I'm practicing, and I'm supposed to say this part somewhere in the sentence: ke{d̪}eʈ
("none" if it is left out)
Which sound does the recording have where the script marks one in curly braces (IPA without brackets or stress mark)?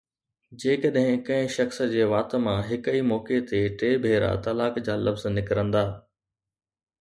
t̪